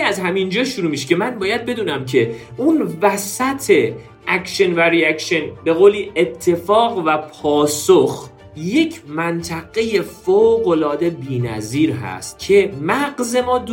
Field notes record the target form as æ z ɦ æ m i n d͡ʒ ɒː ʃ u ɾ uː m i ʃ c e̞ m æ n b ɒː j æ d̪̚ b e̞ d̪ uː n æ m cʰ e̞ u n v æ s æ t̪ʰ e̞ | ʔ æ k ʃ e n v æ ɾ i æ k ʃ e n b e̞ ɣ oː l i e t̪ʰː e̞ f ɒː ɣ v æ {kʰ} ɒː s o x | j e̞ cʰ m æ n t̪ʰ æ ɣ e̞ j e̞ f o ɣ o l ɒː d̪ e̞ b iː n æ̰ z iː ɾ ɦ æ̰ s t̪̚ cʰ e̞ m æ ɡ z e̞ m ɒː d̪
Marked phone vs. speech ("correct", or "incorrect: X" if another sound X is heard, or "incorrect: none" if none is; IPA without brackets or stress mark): incorrect: pʰ